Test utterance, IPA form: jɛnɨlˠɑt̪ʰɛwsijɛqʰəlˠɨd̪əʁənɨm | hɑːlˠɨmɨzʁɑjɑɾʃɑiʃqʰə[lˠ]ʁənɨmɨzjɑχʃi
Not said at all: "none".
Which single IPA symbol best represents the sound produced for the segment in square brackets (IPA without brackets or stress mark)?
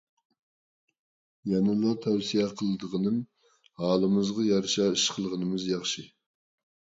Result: lˠ